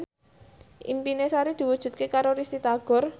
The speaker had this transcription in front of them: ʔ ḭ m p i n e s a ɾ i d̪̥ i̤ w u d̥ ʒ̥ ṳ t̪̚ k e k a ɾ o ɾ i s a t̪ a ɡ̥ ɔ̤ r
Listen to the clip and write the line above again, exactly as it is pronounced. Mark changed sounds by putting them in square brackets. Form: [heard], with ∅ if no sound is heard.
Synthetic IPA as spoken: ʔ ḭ m p i n e s a ɾ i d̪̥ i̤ w u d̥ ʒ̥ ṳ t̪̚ k e k a ɾ o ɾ i s [i] t̪ a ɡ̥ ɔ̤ r